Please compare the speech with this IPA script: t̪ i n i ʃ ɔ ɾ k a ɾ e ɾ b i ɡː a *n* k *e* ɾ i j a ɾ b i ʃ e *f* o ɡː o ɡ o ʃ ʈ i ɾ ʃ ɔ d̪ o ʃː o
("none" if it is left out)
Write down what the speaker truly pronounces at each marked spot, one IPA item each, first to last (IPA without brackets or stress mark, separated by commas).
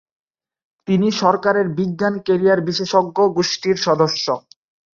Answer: n, e, ʃ